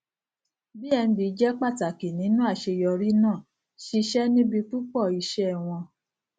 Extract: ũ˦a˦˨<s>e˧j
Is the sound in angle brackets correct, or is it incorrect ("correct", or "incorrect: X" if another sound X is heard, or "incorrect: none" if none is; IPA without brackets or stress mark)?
incorrect: ʃ